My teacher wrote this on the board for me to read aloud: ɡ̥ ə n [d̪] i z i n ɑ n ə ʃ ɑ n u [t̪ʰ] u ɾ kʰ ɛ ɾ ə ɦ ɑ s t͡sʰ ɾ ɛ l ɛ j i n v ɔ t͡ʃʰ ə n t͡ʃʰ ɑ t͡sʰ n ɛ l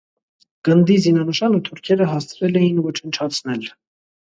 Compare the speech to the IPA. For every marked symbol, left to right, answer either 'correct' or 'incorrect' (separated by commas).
correct, correct